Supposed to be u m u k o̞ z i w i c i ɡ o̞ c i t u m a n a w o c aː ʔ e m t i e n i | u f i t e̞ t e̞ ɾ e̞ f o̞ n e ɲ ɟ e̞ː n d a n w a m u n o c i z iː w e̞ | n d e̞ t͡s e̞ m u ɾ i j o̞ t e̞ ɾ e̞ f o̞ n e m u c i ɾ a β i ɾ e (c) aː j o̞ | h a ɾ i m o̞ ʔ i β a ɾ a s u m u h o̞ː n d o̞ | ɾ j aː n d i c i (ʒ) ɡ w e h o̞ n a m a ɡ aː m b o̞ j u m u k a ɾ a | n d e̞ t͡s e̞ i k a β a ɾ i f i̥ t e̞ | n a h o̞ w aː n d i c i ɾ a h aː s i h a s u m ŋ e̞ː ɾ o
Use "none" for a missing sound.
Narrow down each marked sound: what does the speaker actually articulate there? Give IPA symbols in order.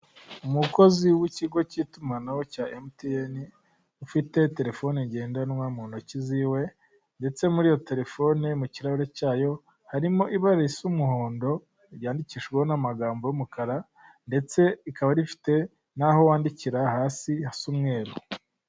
c, ʃ

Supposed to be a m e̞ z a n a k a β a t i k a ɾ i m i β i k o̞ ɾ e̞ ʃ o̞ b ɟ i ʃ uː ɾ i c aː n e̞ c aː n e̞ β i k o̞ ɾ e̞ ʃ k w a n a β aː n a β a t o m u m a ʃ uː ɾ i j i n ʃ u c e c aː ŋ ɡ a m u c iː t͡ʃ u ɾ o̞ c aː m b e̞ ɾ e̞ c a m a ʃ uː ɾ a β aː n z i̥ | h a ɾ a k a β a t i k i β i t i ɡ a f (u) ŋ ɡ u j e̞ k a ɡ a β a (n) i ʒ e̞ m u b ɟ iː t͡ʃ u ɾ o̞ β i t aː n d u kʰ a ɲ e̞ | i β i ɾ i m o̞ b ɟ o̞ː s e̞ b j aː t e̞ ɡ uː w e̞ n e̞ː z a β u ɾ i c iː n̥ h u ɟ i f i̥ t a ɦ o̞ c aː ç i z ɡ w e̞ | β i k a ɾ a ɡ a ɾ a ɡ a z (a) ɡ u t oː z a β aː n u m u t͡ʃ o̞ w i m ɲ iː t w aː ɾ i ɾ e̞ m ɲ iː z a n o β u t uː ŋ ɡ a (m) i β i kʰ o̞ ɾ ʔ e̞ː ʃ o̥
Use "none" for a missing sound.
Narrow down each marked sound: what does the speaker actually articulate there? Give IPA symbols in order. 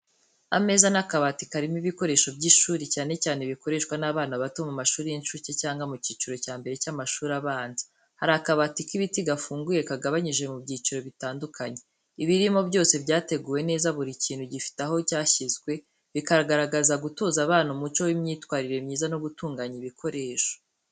uː, ɲ, a, ɲ

